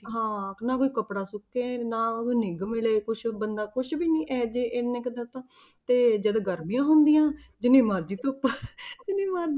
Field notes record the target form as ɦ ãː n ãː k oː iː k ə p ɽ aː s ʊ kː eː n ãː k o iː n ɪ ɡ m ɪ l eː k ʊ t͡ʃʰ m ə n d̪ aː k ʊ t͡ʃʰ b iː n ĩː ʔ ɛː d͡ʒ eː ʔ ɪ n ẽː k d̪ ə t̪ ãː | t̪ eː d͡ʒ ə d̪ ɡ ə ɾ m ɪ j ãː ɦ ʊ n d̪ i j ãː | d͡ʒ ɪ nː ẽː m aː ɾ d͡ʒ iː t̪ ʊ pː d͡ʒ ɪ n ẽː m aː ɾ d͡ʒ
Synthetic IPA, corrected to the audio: ɦ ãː n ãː k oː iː k ə p ɽ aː s ʊ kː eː n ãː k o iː n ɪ ɡ m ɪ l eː k ʊ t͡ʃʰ b ə n d̪ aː k ʊ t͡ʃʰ b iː n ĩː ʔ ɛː d͡ʒ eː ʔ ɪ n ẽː k d̪ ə t̪ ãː | t̪ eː d͡ʒ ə d̪ ɡ ə ɾ m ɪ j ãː ɦ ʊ n d̪ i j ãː | d͡ʒ ɪ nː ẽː m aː ɾ d͡ʒ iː t̪ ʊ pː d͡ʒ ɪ n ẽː m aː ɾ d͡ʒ